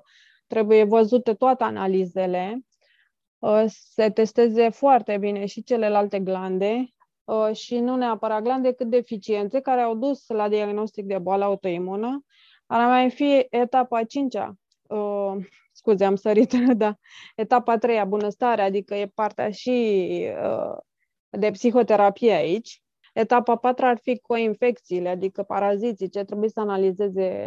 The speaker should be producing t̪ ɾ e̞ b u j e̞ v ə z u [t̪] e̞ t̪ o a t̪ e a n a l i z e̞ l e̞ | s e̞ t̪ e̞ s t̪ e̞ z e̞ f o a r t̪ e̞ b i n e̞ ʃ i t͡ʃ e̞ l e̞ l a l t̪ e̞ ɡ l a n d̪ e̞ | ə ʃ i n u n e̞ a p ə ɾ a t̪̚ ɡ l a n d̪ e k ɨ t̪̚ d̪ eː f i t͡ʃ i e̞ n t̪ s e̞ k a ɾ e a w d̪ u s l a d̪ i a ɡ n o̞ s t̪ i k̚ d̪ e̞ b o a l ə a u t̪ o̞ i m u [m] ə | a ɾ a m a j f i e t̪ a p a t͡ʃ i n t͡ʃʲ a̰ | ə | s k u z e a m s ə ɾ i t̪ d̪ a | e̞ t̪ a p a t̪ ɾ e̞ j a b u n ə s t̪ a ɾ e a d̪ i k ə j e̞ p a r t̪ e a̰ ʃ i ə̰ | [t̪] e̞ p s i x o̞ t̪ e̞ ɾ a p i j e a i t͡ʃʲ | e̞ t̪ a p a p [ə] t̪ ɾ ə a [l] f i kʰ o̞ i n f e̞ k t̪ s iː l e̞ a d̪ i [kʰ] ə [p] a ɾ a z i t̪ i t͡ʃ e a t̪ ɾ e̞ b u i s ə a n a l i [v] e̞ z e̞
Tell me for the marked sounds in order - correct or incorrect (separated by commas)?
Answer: correct, incorrect, incorrect, incorrect, incorrect, incorrect, correct, incorrect